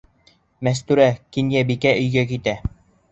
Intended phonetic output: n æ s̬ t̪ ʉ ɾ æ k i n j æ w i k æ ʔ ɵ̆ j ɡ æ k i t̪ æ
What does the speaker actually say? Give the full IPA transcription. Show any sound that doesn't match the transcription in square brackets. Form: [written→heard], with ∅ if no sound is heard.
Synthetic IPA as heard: [n→m] æ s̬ t̪ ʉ ɾ æ k i n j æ [w→b] i k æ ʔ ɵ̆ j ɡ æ k i t̪ æ